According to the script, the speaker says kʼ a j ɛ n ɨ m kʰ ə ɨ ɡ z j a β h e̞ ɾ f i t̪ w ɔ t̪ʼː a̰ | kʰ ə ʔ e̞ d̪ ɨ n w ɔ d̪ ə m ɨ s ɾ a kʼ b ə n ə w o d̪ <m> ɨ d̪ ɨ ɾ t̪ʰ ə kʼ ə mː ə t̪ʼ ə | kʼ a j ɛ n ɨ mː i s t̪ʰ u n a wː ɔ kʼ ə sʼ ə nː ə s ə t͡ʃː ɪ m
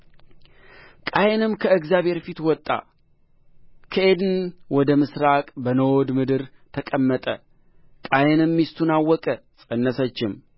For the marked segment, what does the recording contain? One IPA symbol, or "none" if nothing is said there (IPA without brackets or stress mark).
m